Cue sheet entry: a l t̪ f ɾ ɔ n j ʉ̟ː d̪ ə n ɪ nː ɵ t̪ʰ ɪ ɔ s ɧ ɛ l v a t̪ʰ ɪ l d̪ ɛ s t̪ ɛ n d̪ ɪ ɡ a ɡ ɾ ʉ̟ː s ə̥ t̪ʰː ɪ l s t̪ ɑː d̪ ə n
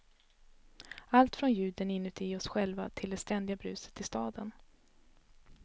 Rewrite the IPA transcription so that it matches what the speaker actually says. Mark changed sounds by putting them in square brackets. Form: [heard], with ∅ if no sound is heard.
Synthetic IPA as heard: a l t̪ f ɾ ɔ n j ʉ̟ː d̪ ə n ɪ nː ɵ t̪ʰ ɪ ɔ s ɧ ɛ l v a t̪ʰ ɪ l d̪ ɛ s t̪ ɛ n d̪ ɪ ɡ a [b] ɾ ʉ̟ː s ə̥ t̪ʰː ɪ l s t̪ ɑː d̪ ə n